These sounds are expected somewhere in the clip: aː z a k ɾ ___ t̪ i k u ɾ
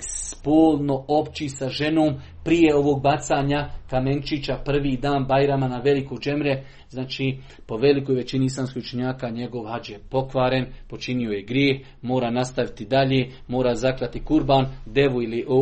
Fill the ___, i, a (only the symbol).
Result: a